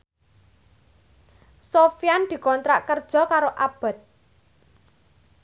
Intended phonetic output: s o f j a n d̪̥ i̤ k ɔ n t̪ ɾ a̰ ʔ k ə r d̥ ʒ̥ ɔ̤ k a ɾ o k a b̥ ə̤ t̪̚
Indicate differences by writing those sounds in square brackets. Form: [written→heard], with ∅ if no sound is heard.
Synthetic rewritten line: s o f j a n d̪̥ i̤ k ɔ n t̪ ɾ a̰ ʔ k ə r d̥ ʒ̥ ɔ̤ k a ɾ o [k→ʔ] a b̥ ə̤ t̪̚